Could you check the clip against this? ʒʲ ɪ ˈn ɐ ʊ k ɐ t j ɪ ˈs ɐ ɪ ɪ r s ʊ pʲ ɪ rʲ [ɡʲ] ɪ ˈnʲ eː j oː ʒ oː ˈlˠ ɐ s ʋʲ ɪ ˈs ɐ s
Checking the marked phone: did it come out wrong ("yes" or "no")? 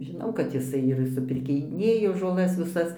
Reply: yes